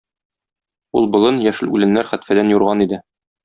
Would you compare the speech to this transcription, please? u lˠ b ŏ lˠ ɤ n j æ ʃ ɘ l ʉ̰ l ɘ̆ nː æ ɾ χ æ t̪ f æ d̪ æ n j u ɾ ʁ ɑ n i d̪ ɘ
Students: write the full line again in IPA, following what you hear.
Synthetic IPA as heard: u lˠ b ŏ lˠ ɤ n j æ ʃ ɘ l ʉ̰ l ɘ̆ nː æ ɾ χ æ t̪ f æ d̪ æ n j u ɾ ʁ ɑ n i d̪ ɘ